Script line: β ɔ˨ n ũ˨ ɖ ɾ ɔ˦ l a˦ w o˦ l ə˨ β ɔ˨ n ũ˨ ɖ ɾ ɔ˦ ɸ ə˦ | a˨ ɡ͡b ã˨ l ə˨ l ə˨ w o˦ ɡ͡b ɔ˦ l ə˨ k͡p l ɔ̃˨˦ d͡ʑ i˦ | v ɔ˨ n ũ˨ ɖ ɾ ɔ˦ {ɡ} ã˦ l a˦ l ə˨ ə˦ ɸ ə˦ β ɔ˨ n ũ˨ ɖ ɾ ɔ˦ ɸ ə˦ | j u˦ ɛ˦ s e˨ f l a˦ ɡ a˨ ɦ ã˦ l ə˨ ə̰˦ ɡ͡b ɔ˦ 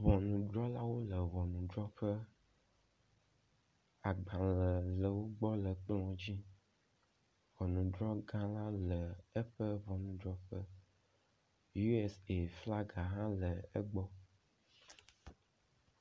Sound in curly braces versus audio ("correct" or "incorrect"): correct